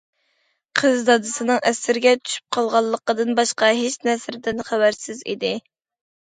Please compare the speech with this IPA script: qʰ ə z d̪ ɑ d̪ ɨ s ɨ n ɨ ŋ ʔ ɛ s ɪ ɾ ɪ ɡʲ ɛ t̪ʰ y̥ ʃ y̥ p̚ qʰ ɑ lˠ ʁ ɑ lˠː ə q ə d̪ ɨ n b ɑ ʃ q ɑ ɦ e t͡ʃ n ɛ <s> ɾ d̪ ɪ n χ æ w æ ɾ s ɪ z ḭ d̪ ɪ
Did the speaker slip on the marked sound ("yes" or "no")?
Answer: no